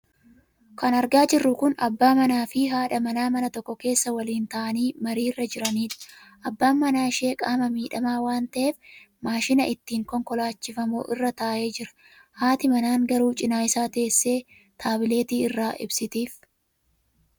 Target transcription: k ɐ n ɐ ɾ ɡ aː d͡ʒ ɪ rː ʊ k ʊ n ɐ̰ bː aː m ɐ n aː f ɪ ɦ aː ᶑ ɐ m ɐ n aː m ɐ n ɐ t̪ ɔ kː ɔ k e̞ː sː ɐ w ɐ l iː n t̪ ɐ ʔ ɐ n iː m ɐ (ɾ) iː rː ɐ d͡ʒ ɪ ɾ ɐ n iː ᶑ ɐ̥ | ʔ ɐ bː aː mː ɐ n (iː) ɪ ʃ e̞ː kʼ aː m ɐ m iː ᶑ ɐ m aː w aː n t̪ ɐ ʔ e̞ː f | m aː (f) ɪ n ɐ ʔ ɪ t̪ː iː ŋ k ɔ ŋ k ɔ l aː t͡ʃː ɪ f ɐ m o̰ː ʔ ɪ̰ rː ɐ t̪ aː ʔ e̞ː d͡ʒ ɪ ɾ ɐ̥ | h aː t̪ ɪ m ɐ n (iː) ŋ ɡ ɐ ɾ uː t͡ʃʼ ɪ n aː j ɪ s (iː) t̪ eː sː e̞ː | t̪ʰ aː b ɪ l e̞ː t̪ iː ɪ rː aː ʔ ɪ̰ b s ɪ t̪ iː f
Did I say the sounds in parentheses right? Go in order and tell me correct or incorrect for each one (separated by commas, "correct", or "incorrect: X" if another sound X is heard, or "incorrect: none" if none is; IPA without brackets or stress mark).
correct, incorrect: aː, incorrect: ʃ, incorrect: aː, incorrect: aː